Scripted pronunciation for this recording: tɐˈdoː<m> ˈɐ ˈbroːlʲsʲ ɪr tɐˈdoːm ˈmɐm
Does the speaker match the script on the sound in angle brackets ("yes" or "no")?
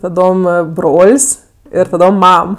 yes